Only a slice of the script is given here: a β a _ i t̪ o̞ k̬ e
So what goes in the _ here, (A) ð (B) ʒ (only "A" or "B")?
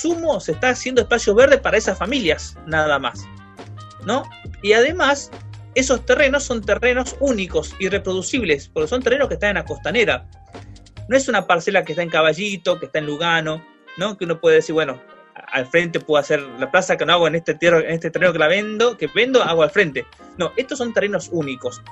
B